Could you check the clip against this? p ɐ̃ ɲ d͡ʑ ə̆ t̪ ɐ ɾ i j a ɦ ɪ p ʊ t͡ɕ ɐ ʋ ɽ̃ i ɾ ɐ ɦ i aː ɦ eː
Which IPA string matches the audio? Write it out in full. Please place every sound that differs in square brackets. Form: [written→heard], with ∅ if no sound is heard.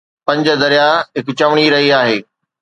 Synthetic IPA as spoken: p ɐ̃ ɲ d͡ʑ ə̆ [t̪→d̪] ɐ ɾ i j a ɦ ɪ [p→k] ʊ t͡ɕ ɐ ʋ ɽ̃ i ɾ ɐ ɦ i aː ɦ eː